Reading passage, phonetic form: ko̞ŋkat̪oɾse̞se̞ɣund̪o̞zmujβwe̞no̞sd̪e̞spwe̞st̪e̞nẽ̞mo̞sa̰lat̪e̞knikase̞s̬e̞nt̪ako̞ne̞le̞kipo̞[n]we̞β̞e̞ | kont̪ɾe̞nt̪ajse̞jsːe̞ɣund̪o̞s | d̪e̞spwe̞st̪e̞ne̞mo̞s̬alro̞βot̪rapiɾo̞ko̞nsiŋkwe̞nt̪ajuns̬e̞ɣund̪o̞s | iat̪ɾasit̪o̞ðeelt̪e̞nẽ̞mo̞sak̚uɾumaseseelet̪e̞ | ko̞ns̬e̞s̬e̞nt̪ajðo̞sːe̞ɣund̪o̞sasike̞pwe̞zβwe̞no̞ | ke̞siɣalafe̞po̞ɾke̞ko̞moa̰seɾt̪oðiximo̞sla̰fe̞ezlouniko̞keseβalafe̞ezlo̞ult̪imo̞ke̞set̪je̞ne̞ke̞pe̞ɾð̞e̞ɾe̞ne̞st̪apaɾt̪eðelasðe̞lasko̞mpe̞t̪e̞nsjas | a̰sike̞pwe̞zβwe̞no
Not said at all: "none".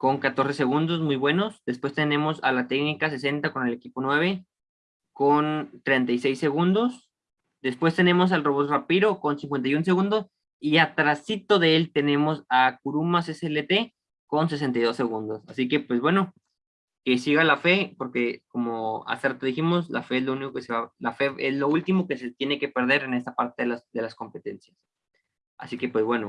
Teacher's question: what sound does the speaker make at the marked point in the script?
n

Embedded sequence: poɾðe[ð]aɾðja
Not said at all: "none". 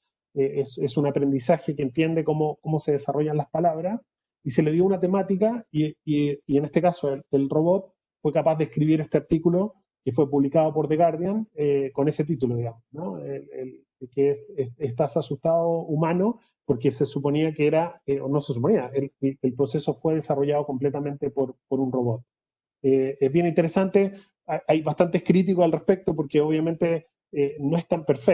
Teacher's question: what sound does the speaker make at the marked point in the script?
ɣ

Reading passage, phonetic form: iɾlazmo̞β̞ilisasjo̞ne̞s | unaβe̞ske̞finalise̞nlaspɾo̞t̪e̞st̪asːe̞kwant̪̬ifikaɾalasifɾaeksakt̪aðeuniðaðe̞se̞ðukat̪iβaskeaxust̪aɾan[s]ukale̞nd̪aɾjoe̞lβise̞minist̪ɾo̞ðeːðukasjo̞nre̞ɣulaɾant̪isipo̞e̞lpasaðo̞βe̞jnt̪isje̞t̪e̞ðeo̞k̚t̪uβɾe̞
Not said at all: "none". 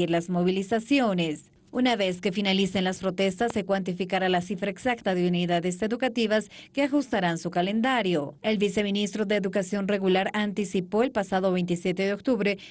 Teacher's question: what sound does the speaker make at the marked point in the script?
s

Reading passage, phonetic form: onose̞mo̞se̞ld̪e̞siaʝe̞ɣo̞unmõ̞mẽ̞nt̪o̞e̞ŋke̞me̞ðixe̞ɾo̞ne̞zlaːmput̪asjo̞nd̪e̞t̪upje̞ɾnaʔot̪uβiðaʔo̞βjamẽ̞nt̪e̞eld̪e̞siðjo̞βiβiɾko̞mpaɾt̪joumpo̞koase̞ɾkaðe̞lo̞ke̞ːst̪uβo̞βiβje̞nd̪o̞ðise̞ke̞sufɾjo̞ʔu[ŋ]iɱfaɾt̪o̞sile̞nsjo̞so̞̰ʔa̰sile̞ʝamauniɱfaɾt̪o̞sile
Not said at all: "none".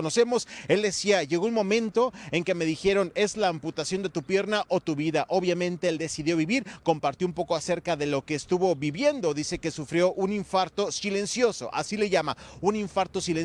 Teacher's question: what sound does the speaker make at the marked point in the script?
n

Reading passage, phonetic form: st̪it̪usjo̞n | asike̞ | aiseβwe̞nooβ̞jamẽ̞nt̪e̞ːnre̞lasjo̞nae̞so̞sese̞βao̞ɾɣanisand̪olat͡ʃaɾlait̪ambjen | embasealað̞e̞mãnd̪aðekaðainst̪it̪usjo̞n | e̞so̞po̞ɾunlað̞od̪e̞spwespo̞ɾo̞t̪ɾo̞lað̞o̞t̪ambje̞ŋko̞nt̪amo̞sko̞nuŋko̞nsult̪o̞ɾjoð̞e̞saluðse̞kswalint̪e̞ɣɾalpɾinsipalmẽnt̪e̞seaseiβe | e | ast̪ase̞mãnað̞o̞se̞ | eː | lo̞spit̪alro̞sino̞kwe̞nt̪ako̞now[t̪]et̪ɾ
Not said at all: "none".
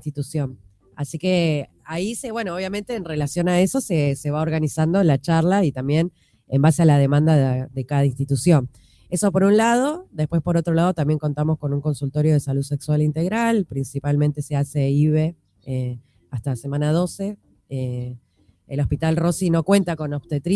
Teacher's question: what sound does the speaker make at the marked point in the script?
t̪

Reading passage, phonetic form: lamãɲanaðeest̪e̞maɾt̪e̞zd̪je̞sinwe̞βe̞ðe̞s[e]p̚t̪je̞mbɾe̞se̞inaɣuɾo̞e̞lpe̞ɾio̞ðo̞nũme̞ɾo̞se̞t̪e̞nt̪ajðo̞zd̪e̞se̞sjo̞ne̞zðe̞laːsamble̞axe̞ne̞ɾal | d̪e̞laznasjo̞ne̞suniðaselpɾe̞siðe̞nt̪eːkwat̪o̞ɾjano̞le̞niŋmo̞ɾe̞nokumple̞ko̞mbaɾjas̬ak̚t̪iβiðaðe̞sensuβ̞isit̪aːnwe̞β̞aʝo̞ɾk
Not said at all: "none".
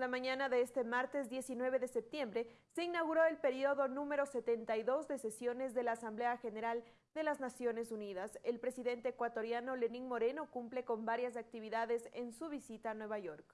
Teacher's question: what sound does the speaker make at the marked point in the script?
e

